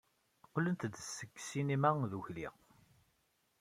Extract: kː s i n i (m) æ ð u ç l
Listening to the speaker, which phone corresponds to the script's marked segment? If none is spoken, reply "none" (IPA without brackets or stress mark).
m